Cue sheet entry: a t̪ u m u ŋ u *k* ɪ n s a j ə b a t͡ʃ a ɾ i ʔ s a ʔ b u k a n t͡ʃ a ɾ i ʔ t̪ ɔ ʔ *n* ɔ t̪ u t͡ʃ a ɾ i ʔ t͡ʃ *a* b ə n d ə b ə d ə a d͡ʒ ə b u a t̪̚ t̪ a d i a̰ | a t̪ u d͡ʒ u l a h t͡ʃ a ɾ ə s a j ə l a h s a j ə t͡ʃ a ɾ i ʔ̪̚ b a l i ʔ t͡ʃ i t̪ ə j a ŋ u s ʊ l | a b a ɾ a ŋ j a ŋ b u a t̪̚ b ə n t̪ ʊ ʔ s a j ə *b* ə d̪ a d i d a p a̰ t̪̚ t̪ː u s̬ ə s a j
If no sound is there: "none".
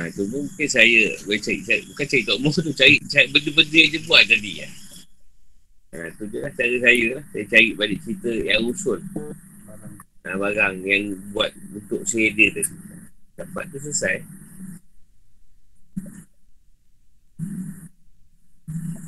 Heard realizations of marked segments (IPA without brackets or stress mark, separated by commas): k, m, a, d